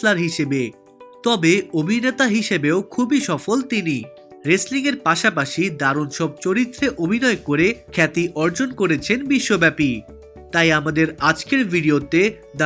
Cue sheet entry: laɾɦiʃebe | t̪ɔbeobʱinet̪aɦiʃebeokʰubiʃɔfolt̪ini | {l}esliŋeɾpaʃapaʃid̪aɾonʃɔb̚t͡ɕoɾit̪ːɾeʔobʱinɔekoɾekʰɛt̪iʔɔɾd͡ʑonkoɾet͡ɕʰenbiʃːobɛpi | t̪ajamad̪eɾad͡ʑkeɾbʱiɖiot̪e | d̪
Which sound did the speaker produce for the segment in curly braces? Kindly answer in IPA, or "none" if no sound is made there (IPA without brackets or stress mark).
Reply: ɾ